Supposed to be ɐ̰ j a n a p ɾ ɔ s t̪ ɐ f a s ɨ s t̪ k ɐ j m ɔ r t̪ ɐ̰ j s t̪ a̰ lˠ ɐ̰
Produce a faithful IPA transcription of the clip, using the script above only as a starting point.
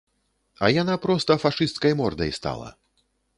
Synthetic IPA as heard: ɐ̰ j a n a p ɾ ɔ s t̪ ɐ f a ʂ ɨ s t̪ k ɐ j m ɔ r d̪ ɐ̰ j s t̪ a̰ lˠ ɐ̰